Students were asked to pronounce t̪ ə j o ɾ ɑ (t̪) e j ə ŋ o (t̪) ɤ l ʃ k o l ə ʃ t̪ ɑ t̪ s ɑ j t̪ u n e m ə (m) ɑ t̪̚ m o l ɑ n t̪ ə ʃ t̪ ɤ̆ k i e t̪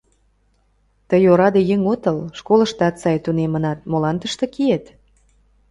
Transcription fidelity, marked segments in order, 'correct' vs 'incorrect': incorrect: d̪, correct, incorrect: n

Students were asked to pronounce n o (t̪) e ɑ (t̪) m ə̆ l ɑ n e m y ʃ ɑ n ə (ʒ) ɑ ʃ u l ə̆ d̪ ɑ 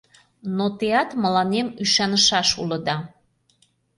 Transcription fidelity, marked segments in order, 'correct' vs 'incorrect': correct, correct, incorrect: ʃ

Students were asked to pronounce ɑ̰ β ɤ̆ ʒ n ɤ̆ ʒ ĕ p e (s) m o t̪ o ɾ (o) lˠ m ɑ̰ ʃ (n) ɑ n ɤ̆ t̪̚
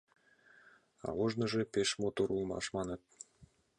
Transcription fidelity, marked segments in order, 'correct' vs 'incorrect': incorrect: ʃ, incorrect: u, incorrect: m

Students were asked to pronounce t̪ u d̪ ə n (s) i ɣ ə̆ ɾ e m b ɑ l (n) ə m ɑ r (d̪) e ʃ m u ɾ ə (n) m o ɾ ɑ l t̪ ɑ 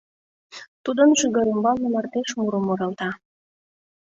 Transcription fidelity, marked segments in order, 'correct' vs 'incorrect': incorrect: ʃ, correct, incorrect: t̪, incorrect: none

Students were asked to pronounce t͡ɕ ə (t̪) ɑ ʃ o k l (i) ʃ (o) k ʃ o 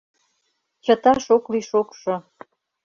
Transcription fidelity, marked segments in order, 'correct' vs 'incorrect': correct, correct, correct

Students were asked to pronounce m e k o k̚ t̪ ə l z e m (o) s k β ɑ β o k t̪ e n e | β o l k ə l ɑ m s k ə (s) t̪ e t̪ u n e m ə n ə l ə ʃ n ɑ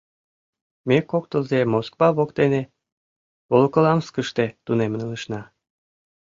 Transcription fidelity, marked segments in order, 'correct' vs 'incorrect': correct, incorrect: ʃ

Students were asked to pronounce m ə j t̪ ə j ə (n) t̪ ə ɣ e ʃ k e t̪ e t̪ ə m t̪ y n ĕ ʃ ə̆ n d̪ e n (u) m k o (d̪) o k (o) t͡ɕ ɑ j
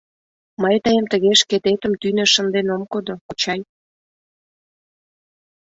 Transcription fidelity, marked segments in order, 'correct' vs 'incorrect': incorrect: m, incorrect: o, correct, incorrect: u

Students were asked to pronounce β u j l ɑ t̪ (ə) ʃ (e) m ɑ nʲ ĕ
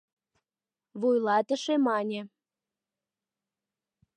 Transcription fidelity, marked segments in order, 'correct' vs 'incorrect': correct, correct

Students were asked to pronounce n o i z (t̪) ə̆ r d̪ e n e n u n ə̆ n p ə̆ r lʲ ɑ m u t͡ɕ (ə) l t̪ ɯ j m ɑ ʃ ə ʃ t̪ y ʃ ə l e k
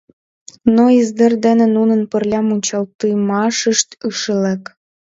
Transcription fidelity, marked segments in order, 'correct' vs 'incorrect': incorrect: d̪, incorrect: ɑ

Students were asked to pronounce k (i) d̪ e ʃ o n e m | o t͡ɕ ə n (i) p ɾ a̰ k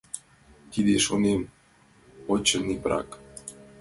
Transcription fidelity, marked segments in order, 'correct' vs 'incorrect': correct, correct

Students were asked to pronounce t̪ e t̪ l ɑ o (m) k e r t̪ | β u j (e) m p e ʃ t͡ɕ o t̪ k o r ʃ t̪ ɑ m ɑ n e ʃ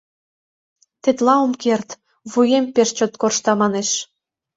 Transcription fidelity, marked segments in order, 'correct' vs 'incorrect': correct, correct

